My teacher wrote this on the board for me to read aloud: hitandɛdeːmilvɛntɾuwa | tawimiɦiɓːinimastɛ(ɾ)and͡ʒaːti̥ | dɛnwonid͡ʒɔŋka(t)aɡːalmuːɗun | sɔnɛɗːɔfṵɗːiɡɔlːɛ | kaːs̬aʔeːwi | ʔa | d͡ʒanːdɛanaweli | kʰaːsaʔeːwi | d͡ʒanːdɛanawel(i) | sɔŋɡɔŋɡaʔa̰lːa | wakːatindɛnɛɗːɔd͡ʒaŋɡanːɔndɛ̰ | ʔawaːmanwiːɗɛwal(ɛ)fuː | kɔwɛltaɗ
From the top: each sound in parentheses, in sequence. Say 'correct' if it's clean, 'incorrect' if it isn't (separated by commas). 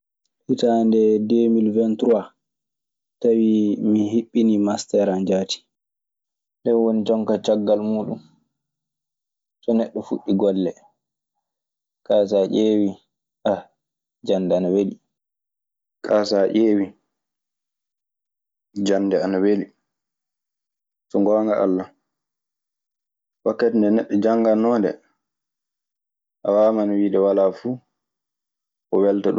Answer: correct, incorrect, correct, incorrect